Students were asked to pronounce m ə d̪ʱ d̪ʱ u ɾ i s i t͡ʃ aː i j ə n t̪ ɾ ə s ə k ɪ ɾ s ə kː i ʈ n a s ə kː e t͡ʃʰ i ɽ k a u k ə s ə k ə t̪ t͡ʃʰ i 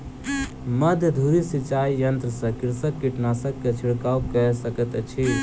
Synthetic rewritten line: m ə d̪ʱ d̪ʱ u ɾ i s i t͡ʃ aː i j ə n t̪ ɾ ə s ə k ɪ ɾ s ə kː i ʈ n a s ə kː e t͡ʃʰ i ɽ k a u k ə s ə k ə t̪ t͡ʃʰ i